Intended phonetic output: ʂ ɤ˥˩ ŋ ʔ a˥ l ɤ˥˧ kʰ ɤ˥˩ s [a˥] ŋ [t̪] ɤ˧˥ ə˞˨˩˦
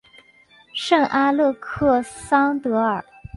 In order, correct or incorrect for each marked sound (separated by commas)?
incorrect, correct